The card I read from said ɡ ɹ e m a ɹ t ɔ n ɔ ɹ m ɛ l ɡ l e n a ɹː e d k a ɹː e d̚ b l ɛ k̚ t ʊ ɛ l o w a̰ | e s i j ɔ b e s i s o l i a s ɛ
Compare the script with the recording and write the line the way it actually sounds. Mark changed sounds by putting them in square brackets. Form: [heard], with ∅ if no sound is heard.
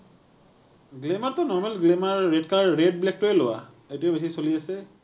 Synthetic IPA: ɡ [l] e m a ɹ t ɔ n ɔ ɹ m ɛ l ɡ l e [m] a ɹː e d k a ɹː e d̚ b l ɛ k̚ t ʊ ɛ l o w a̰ | e [t] i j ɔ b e s i s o l i a s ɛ